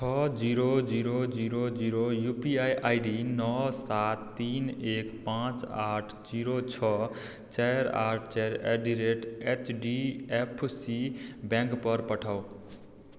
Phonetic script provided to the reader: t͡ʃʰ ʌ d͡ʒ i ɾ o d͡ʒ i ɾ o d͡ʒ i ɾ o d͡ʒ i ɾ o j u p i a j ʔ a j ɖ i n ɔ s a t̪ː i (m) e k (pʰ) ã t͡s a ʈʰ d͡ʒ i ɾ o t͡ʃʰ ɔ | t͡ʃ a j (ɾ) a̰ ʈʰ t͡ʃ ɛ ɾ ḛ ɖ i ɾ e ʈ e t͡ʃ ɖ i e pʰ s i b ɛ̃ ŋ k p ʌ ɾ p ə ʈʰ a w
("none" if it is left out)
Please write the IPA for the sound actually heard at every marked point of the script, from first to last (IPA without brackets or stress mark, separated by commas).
n, p, ɾ